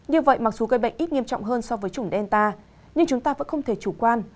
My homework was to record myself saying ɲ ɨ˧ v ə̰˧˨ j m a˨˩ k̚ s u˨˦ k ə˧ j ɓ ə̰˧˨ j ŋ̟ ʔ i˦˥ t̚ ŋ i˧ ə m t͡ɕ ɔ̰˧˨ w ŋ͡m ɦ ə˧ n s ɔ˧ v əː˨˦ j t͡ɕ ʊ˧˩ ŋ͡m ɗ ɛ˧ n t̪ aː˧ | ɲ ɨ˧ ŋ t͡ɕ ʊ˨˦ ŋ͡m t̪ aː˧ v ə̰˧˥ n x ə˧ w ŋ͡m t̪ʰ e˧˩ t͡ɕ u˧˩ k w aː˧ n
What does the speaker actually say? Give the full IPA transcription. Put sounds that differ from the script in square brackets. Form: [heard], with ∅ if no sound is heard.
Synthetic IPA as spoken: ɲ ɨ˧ v ə̰˧˨ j m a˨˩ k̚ s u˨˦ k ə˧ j ɓ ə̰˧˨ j ŋ̟ ʔ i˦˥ t̚ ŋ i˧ ə m t͡ɕ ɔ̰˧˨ w ŋ͡m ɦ [əː˧] n s ɔ˧ v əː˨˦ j t͡ɕ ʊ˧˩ ŋ͡m ɗ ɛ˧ n t̪ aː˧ | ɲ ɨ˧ ŋ t͡ɕ ʊ˨˦ ŋ͡m t̪ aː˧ v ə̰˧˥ n x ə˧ w ŋ͡m t̪ʰ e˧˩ t͡ɕ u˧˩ k w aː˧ n